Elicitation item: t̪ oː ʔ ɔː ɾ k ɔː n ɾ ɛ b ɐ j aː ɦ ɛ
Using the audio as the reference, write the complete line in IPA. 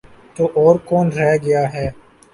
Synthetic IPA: t̪ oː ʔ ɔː ɾ k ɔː n ɾ ɛ ɡ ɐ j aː ɦ ɛː